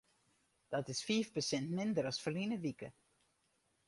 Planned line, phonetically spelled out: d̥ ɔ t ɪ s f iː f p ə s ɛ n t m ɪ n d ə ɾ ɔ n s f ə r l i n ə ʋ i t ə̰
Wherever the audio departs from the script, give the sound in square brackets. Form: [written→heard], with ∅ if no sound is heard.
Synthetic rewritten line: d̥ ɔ t ɪ s f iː f p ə s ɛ n t m ɪ n d ə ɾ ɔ [n→∅] s f ə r l i n ə ʋ i [t→k] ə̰